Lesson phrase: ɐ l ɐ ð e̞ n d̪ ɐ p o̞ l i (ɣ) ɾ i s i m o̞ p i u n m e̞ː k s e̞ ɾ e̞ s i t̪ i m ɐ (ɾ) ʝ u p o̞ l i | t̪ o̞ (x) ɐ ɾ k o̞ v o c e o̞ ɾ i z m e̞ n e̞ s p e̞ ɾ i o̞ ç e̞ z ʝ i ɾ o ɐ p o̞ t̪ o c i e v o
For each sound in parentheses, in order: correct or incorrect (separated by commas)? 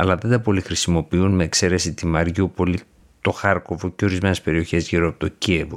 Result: incorrect, correct, correct